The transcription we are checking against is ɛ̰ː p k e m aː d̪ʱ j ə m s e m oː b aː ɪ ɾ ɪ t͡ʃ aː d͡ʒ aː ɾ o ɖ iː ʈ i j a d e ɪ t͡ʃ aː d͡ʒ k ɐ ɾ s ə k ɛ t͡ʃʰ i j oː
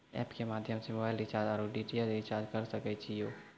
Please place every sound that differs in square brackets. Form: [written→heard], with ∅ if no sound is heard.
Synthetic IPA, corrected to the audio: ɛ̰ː p k e m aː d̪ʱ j ə m s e m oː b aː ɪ [ɾ→l] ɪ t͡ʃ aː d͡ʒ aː ɾ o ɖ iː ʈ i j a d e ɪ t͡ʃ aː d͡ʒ k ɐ ɾ s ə k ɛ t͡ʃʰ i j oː